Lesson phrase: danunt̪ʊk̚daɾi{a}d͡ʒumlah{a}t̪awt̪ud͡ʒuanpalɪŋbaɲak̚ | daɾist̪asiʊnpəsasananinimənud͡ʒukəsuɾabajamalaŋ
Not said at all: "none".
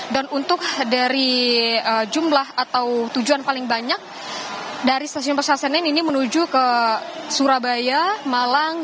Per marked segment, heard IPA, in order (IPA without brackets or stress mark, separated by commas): ə, a